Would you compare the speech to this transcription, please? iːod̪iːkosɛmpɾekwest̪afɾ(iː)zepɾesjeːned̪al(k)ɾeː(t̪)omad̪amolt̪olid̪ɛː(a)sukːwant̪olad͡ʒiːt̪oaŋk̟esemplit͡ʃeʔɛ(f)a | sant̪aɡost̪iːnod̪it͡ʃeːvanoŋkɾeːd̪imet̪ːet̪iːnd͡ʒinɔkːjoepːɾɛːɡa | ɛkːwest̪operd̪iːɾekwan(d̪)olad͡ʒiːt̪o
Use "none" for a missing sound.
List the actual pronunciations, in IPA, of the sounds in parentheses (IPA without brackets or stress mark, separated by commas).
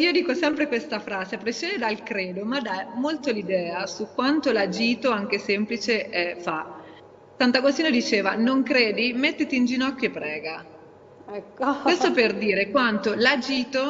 aː, k, d̪, a, f, t̪